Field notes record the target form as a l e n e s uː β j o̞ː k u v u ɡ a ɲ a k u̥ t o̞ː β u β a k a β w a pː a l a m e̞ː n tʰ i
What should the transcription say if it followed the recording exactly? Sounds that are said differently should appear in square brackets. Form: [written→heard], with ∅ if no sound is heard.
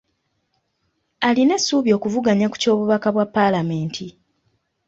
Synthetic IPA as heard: a l [e→i] n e s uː β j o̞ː k u v u ɡ a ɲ a k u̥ [t→c] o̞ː β u β a k a β w a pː a l a m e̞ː n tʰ i